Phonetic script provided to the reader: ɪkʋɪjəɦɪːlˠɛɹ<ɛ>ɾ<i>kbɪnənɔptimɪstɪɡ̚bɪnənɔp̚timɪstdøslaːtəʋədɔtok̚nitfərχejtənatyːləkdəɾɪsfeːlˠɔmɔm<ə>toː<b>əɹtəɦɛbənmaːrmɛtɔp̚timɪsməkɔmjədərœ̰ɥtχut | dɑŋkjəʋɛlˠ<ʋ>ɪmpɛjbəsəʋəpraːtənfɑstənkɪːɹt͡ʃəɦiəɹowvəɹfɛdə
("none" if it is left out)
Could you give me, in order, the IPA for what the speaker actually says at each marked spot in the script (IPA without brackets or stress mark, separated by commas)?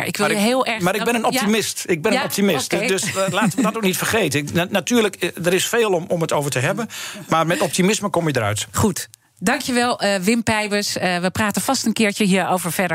a, ɪ, ə, v, ʋ